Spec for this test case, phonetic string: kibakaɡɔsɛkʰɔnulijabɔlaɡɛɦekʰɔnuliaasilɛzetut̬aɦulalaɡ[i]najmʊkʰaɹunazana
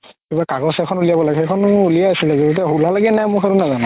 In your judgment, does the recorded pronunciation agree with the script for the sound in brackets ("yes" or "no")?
no